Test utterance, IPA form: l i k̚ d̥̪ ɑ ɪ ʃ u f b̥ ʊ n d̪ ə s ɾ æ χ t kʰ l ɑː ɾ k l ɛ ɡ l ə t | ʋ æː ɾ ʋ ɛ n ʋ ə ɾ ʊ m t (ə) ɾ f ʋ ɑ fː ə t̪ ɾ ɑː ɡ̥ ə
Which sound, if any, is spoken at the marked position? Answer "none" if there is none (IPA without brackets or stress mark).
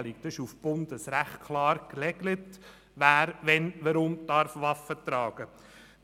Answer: ɑ